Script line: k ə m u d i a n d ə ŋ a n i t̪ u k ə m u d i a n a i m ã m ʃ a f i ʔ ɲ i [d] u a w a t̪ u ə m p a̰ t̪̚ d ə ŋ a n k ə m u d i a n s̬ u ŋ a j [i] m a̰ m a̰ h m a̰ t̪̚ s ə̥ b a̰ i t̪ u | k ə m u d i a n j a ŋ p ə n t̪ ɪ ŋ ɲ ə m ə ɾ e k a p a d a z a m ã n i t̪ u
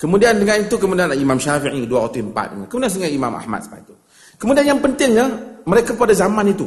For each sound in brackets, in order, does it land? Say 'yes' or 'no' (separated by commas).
yes, yes